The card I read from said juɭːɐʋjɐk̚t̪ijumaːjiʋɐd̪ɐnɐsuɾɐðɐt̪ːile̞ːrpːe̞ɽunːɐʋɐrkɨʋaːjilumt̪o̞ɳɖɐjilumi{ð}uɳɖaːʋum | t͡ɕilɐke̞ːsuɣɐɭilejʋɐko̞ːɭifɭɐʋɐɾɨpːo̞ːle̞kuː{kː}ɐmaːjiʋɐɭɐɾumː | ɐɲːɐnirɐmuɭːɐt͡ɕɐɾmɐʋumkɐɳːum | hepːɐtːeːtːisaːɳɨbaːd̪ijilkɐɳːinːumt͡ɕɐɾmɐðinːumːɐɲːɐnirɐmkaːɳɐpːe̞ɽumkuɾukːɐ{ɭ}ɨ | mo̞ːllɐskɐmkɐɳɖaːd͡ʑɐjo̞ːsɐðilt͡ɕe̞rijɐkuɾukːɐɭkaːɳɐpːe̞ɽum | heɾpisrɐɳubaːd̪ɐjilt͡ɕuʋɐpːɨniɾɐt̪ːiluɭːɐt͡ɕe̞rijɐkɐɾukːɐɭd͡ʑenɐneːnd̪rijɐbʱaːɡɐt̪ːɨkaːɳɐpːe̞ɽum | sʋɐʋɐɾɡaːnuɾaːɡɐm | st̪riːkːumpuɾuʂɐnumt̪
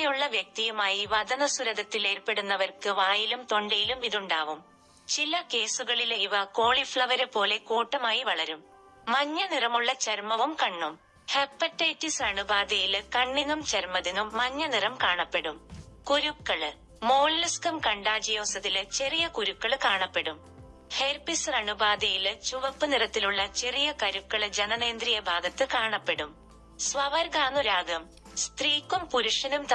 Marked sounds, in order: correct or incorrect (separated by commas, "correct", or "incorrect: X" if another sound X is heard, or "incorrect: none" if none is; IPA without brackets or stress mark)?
correct, incorrect: ʈː, correct